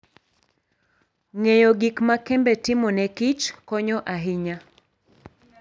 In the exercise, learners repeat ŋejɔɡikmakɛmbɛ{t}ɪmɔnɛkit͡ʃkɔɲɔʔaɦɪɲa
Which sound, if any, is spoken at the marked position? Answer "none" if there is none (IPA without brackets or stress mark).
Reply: t